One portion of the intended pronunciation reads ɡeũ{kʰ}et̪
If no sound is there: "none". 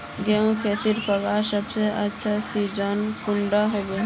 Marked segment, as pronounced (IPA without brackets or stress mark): kʰ